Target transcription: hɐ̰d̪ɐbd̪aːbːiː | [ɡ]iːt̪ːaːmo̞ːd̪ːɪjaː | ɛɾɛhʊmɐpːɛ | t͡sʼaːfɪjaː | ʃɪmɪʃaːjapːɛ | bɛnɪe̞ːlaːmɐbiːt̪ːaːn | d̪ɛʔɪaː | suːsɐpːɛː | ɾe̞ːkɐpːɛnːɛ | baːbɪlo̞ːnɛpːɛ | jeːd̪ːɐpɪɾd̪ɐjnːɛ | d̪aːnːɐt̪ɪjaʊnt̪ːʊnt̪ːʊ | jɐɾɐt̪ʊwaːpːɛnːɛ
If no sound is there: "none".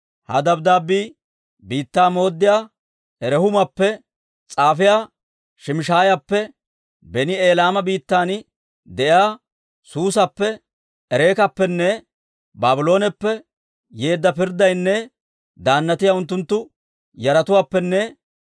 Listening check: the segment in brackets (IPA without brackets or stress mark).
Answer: b